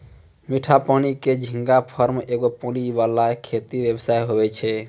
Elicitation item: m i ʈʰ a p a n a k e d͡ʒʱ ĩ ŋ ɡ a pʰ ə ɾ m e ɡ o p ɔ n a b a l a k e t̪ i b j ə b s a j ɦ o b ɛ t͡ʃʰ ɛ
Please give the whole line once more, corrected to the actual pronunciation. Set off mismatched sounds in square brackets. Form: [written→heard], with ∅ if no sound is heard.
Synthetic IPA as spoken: m i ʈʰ a p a n [a→i] k e d͡ʒʱ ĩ ŋ ɡ a pʰ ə ɾ m e ɡ o p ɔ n [a→i] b a l a [k→kʰ] e t̪ i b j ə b s a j ɦ o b ɛ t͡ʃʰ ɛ